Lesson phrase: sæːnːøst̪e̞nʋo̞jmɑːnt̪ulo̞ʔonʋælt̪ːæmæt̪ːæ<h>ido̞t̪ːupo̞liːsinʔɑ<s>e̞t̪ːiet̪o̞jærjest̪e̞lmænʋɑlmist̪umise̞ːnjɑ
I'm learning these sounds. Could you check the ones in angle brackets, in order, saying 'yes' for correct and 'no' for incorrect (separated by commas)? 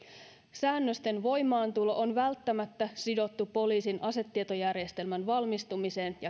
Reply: no, yes